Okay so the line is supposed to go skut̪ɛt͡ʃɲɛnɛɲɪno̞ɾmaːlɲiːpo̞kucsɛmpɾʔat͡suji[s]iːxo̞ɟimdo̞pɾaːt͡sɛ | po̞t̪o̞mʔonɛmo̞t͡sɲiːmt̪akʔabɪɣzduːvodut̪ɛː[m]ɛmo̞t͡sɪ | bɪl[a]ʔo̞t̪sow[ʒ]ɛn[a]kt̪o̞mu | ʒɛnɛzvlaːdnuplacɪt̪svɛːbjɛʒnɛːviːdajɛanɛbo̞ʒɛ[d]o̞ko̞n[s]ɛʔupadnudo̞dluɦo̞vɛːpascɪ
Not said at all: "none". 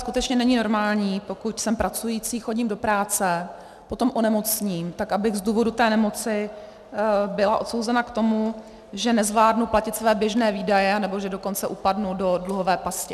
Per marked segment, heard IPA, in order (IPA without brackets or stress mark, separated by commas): t͡s, n, a, z, a, d, t͡s